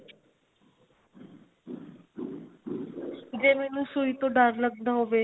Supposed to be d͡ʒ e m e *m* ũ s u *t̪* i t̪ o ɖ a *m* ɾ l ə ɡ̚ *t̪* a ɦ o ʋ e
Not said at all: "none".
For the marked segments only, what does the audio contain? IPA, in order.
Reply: n, none, none, d̪

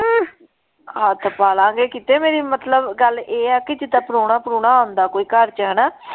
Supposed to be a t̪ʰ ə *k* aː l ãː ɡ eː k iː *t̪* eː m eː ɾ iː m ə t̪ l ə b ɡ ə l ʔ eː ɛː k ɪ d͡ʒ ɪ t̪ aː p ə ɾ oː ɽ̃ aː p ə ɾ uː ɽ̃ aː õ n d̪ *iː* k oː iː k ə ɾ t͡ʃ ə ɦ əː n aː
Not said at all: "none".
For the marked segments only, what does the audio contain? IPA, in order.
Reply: p, t̪, aː

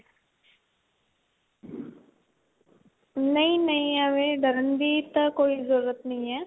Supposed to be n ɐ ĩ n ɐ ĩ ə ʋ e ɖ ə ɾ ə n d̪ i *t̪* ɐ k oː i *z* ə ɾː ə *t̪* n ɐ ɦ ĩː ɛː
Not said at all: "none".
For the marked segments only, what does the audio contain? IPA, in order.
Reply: t̪, z, t̪

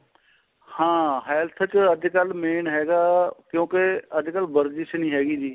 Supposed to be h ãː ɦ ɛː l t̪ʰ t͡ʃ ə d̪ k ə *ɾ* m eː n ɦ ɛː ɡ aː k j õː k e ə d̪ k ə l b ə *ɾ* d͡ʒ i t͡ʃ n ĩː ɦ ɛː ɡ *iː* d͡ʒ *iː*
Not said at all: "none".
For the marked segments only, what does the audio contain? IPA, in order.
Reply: l, ɾ, iː, iː

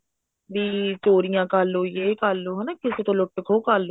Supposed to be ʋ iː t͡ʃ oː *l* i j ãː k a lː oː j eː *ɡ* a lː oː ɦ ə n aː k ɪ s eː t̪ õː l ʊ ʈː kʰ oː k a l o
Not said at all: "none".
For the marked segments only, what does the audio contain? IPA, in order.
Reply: ɾ, k

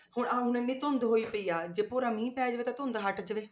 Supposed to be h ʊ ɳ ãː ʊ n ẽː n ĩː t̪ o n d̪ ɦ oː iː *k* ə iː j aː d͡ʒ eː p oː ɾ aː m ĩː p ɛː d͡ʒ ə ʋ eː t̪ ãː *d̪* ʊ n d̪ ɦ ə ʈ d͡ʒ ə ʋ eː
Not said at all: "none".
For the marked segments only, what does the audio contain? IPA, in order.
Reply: p, t̪

